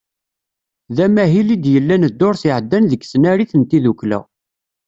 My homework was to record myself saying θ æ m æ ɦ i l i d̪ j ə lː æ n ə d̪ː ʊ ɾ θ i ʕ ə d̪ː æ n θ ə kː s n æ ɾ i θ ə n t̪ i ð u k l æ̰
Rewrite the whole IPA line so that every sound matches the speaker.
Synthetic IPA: ð æ m æ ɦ i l i d̪ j ə lː æ n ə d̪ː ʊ ɾ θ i ʕ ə d̪ː æ n ð ə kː s n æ ɾ i θ ə n t̪ i ð u k l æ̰